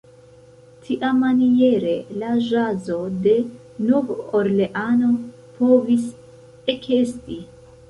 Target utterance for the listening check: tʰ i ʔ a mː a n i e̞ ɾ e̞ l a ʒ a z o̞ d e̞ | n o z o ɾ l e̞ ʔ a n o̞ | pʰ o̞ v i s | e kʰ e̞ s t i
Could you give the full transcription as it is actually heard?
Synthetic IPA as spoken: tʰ i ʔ a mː a n i e̞ ɾ e̞ l a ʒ a z o̞ d e̞ | n o v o ɾ l e̞ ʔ a n o̞ | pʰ o̞ v i s | e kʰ e̞ s t i